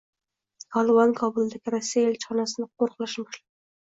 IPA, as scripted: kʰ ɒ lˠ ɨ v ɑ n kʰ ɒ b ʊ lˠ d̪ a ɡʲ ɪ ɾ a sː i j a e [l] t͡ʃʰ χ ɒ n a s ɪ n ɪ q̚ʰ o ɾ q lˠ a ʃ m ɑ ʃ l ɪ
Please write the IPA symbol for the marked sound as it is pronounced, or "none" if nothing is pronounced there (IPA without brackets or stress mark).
l